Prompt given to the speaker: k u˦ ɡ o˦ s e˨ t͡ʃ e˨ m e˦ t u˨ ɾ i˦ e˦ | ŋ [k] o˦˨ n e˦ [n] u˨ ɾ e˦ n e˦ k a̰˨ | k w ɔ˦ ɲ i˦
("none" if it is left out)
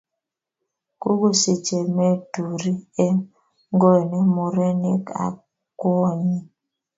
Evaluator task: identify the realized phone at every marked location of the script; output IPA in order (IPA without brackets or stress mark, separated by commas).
ɡ, m